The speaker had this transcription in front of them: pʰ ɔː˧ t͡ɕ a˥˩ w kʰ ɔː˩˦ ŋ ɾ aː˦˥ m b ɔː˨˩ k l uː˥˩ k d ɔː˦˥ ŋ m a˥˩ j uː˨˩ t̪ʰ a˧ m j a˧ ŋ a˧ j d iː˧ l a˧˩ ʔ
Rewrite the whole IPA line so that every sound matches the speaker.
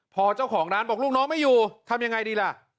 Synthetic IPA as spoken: pʰ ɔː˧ t͡ɕ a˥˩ w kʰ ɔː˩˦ ŋ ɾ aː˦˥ n b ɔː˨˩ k l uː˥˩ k n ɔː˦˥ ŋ m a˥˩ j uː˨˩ t̪ʰ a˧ m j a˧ ŋ a˧ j d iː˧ l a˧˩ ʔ